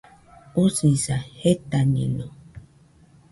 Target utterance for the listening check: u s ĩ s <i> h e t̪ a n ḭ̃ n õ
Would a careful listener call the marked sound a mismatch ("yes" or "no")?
yes